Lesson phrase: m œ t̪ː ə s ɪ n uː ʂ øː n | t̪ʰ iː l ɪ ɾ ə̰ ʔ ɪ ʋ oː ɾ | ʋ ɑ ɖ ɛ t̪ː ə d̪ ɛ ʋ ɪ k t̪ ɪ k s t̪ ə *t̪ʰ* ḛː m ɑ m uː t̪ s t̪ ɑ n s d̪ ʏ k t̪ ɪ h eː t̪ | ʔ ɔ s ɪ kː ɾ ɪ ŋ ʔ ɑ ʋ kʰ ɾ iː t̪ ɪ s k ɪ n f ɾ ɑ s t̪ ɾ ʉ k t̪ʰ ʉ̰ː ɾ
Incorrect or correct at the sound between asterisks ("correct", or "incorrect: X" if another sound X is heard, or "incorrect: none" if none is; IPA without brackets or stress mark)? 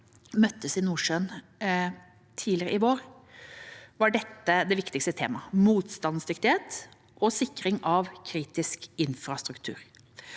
correct